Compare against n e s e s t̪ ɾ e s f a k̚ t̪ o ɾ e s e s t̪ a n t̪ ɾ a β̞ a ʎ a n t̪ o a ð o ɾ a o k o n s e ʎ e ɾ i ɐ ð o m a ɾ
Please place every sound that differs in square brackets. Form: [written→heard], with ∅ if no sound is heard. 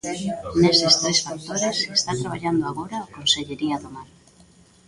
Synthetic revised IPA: n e s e s t̪ ɾ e s f a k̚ t̪ o ɾ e s e s t̪ a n t̪ ɾ a β̞ a ʎ a n [t̪→d̪] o a [ð→ɣ] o ɾ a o k o n s e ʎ e ɾ i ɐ ð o m a ɾ